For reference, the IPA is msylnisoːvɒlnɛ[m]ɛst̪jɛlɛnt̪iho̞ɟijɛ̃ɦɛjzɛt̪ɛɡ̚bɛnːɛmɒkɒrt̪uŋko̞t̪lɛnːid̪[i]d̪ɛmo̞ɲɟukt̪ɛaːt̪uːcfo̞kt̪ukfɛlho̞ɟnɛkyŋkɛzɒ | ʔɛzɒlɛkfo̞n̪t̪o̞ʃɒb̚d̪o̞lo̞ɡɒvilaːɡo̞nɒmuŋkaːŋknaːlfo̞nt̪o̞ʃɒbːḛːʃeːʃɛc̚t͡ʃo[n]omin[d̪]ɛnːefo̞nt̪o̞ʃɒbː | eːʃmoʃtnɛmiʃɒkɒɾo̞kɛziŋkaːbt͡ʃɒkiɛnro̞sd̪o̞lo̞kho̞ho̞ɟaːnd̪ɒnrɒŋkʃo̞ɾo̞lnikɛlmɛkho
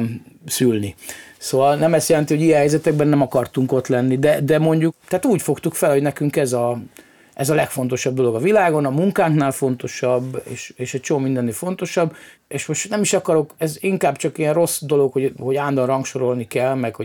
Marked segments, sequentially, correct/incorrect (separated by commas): correct, incorrect, incorrect, correct